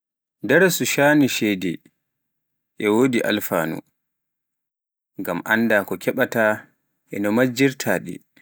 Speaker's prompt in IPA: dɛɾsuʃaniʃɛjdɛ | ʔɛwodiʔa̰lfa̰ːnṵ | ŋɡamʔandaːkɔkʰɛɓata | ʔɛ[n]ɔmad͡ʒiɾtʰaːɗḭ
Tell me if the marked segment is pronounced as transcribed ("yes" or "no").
yes